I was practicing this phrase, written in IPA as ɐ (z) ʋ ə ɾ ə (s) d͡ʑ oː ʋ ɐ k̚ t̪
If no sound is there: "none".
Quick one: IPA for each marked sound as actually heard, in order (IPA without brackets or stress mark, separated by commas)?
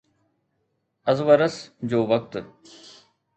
z, s